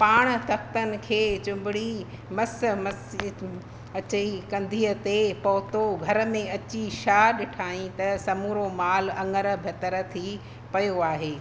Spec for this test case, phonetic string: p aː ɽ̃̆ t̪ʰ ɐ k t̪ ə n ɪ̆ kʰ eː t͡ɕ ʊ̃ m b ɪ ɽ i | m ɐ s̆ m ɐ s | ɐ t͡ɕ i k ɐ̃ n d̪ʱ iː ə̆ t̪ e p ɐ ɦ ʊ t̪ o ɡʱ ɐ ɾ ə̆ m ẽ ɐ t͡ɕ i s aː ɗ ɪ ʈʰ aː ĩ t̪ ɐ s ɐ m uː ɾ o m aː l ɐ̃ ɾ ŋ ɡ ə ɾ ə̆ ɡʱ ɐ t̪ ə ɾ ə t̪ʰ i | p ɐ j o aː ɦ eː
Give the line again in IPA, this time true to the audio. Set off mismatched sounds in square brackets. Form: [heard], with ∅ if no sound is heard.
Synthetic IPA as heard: p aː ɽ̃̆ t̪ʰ ɐ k t̪ ə n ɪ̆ kʰ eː t͡ɕ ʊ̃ m b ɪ ɽ i | m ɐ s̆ m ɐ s | ɐ t͡ɕ i k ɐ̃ n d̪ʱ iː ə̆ t̪ e p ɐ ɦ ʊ t̪ o ɡʱ ɐ ɾ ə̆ m ẽ ɐ t͡ɕ i [ʃ] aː ɗ ɪ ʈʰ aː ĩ t̪ ɐ s ɐ m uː ɾ o m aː l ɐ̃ [∅] ŋ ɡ ə ɾ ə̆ [bʱ] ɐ t̪ ə ɾ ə t̪ʰ i | p ɐ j o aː ɦ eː